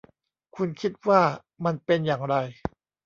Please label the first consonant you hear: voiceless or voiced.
voiceless